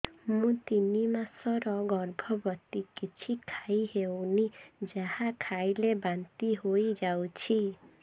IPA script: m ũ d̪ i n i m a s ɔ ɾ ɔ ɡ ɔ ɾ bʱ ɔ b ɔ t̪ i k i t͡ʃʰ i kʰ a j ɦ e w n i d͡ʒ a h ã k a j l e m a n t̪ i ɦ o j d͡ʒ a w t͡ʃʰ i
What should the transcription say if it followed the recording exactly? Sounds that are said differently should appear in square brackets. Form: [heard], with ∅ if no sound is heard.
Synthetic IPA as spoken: m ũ [t̪] i n i m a s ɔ ɾ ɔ ɡ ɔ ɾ bʱ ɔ b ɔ t̪ i k i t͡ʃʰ i kʰ a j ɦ e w n i d͡ʒ a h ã [kʰ] a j l e [b] a n t̪ i ɦ o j d͡ʒ a w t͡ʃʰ i